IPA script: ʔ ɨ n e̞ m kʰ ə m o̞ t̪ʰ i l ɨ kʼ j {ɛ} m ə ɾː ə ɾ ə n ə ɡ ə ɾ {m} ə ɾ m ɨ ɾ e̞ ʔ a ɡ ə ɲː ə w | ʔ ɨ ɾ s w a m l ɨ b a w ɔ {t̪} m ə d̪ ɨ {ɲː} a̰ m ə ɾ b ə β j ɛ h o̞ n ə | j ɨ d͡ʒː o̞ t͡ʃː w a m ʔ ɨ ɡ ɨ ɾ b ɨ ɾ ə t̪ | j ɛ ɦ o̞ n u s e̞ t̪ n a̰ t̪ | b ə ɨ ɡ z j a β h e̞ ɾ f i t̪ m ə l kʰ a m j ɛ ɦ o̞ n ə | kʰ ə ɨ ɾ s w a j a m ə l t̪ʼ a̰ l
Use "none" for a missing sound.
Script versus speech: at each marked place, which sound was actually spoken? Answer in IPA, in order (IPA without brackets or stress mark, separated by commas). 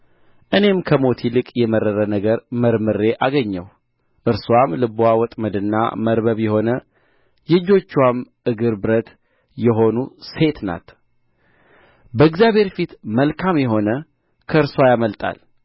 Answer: ɛ, m, t̪ʼ, nː